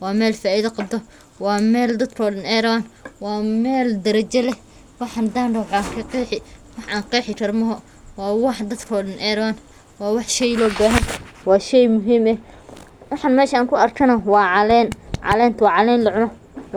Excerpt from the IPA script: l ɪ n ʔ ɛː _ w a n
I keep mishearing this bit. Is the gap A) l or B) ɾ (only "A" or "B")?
B